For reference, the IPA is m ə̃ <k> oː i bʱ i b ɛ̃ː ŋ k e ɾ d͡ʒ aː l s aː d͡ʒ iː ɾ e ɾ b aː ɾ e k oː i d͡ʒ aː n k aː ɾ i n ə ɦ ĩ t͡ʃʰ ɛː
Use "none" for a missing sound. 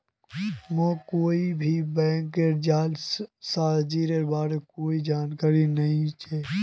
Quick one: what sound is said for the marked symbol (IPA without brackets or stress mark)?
k